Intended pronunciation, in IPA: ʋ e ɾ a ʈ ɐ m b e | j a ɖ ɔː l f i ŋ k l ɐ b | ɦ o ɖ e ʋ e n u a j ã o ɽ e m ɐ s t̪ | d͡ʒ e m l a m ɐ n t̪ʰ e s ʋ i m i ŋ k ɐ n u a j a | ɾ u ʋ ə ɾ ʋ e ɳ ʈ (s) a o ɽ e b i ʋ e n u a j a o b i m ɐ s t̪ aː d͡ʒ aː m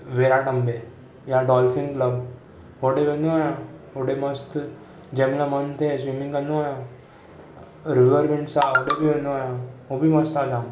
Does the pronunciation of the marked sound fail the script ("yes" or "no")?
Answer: no